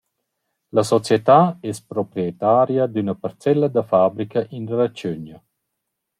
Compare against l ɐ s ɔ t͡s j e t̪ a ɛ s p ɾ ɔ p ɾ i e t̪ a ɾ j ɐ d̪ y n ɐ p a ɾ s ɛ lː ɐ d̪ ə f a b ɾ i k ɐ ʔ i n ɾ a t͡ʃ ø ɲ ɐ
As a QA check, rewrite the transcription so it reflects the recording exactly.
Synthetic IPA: l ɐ s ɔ t͡s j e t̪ a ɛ s p ɾ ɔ p ɾ i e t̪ a ɾ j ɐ d̪ y n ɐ p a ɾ t͡s ɛ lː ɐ d̪ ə f a b ɾ i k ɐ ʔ i n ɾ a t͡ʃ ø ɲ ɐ